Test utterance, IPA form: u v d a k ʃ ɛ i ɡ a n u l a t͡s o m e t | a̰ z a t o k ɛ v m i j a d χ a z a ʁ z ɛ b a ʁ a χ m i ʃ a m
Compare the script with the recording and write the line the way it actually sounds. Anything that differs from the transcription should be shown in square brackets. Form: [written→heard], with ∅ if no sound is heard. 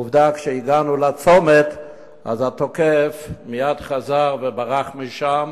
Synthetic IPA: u v d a k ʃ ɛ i ɡ a n u l a t͡s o m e t | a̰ z a t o k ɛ [v→f] m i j a d χ a z a ʁ [z→v] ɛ b a ʁ a χ m i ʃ a m